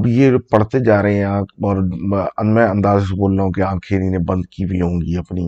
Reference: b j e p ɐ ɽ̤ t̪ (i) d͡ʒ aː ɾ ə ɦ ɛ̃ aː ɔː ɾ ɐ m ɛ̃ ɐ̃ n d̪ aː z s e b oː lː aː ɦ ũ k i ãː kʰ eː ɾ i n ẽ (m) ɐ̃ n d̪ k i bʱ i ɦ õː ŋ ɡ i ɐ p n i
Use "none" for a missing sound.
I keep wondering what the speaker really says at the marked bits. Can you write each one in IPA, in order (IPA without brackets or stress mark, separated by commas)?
e, b